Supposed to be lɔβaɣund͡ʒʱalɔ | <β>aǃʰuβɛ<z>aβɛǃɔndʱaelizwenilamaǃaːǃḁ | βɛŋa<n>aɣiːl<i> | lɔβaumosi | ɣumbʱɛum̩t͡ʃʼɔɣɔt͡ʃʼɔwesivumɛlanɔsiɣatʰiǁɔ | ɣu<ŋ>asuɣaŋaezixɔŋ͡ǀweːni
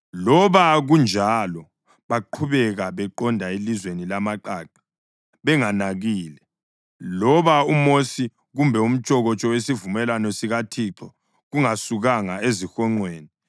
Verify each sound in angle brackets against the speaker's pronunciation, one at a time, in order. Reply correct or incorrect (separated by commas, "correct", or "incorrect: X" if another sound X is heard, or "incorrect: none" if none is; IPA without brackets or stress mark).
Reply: correct, incorrect: ɣ, correct, incorrect: ɛ, correct